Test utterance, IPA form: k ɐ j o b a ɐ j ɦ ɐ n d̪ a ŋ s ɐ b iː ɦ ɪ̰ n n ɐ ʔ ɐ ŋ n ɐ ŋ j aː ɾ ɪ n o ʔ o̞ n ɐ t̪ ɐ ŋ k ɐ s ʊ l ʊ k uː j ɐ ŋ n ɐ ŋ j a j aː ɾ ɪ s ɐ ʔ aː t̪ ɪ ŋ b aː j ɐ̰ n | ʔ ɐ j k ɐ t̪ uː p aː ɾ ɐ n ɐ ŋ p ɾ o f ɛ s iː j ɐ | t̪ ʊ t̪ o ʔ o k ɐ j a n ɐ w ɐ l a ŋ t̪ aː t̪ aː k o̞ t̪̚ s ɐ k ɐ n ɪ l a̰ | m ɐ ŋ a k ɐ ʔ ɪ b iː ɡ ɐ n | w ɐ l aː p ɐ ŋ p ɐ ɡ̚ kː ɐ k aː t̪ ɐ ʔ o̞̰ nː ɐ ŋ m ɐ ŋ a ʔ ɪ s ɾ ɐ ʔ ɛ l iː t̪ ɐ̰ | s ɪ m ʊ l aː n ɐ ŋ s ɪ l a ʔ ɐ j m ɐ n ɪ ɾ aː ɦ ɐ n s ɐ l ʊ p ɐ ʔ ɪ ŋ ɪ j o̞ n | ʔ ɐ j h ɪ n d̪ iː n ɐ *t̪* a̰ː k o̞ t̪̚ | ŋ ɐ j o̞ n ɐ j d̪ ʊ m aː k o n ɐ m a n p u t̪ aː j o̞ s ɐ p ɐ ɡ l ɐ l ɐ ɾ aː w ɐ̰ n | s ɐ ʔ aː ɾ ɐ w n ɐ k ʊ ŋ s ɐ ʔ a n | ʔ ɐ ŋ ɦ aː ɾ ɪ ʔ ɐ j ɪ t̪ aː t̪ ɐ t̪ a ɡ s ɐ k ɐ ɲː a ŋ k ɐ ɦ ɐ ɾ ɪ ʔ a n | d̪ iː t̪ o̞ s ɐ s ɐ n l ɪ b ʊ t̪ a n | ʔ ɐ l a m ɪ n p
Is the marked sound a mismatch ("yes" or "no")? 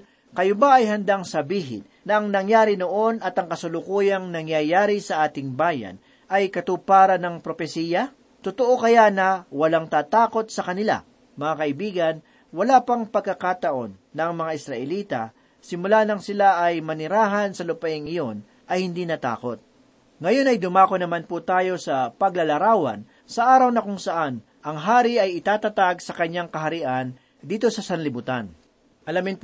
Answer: no